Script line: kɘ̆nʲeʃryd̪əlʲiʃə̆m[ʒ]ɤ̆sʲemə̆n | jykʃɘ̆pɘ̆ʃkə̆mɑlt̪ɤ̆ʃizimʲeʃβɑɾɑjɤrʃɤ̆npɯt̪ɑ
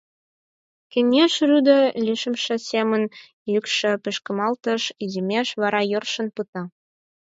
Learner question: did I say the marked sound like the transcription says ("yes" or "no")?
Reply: no